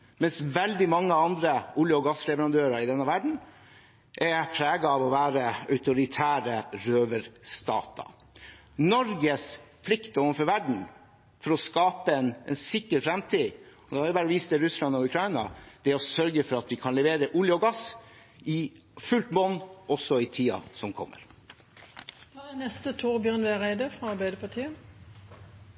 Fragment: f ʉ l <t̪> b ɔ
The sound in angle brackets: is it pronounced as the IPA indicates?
yes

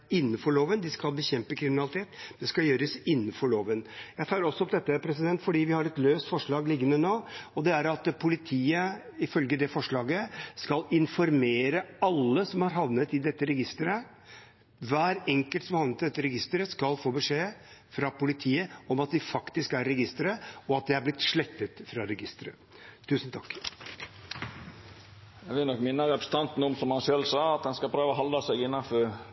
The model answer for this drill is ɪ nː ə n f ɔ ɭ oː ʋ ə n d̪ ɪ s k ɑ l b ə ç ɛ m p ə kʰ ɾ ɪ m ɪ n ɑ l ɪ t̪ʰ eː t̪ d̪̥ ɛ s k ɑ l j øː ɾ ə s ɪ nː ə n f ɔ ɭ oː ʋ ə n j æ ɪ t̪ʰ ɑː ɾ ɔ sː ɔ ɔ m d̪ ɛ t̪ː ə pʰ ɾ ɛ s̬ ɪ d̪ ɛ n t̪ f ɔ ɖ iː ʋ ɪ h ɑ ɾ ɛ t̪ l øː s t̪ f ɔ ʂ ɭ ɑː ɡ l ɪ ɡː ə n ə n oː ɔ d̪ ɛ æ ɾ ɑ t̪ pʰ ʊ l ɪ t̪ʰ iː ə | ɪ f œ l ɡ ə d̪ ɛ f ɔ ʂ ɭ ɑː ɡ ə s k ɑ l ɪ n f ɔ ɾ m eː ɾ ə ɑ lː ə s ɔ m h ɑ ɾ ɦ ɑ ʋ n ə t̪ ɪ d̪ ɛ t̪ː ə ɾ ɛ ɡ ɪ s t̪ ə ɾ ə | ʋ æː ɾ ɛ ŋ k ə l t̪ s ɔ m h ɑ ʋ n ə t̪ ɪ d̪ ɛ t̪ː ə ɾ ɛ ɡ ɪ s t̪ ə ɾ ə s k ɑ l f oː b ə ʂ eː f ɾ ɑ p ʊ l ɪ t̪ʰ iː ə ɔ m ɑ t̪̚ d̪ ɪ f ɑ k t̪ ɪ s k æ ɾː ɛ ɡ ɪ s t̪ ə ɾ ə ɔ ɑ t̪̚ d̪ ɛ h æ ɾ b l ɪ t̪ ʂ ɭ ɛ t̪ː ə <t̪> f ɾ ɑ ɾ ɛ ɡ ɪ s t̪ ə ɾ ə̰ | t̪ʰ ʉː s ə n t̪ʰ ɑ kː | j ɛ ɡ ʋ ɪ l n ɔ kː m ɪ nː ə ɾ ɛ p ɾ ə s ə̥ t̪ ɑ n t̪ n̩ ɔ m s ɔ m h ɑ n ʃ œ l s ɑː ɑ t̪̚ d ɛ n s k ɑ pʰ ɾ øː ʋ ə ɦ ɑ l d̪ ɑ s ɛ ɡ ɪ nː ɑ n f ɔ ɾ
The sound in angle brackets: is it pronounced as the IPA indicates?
yes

